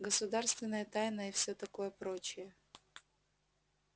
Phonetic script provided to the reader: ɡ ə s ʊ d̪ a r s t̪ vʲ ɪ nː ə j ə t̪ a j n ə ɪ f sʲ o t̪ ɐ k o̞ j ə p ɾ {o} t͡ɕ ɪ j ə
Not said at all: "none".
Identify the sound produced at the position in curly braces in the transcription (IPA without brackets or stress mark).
o